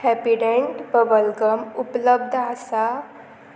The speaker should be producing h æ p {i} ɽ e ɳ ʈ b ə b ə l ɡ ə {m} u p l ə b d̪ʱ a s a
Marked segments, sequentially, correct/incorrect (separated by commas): correct, correct